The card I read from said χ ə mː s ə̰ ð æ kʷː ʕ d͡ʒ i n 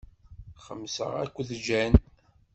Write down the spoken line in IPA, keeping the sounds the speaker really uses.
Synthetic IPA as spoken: χ ə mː s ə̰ ʁ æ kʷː ð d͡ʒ æ n